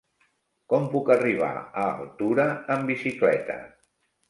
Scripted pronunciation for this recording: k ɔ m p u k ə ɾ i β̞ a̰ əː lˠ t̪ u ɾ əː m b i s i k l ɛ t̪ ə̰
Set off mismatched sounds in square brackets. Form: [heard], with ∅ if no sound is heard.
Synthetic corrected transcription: k ɔ m p u k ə [r] i β̞ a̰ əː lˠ t̪ u ɾ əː m b i s i k l ɛ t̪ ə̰

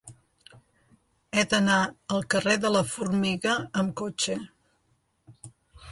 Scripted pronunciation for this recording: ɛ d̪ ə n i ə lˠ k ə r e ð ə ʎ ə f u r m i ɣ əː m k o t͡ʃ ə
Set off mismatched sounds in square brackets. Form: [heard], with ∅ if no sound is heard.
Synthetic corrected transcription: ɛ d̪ ə n [a] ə lˠ k ə r e ð ə [l] ə f u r m i ɣ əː m k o t͡ʃ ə

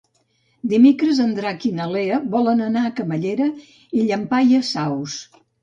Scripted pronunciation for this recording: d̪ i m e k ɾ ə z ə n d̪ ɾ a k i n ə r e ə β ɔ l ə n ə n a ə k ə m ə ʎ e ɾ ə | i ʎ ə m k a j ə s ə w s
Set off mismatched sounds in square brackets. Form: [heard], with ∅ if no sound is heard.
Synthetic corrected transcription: d̪ i m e k ɾ ə z ə n d̪ ɾ a k i n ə [l] e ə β ɔ l ə n ə n a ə k ə m ə ʎ e ɾ ə | i ʎ ə m [p] a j ə s [a] w s

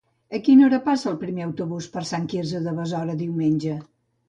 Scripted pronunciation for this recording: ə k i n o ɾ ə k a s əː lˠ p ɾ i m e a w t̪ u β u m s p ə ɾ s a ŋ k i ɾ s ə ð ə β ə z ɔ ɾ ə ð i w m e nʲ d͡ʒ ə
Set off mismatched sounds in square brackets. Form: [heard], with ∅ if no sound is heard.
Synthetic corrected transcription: ə k i n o ɾ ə [p] a s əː lˠ p ɾ i m e [ə] w t̪ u β u [∅] s p ə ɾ s a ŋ k i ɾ [z] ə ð ə β ə z ɔ ɾ ə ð i w m e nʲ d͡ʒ ə

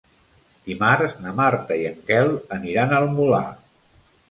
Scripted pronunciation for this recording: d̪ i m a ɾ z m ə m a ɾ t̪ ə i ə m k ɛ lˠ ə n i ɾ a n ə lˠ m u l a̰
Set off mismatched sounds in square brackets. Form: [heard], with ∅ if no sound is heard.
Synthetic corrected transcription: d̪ i m a ɾ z [n] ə m a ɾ t̪ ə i ə [ŋ] k ɛ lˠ ə n i ɾ a n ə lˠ m u l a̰

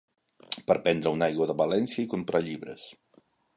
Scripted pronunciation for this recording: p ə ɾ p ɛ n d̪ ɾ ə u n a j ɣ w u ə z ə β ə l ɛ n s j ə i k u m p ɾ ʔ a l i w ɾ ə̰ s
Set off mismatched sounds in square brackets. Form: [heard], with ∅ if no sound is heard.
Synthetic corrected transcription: p ə ɾ p ɛ n d̪ ɾ ə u n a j ɣ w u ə [ð] ə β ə l ɛ n s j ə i k u m p ɾ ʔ a [ʎ] i [β] ɾ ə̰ s

